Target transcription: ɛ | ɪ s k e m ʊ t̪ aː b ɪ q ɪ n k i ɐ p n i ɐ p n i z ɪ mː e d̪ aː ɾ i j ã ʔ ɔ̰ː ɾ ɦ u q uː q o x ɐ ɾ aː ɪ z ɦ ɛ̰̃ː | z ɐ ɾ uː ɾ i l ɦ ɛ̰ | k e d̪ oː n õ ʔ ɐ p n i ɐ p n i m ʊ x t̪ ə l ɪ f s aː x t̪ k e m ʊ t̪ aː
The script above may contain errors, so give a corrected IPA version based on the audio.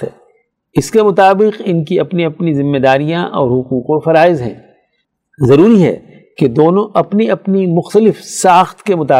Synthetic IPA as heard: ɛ | ɪ s k e m ʊ t̪ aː b ɪ q ɪ n k i ɐ p n i ɐ p n i z ɪ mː e d̪ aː ɾ i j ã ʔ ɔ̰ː ɾ ɦ ʊ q uː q o f ɐ ɾ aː ɪ z ɦ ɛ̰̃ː | z ɐ ɾ uː ɾ i ɦ ɛ̰ | k e d̪ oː n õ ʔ ɐ p n i ɐ p n i m ʊ x t̪ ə l ɪ f s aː x t̪ k e m ʊ t̪ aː